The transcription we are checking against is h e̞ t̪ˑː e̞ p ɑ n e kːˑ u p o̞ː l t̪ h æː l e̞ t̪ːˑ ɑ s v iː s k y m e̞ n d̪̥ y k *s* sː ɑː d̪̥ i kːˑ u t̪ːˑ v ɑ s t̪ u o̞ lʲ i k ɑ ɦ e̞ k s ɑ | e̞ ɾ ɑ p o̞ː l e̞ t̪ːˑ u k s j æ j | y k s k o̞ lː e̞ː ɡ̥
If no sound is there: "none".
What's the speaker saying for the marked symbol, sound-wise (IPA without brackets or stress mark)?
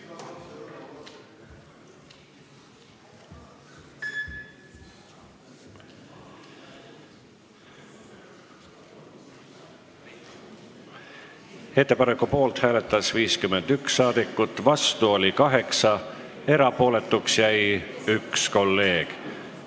s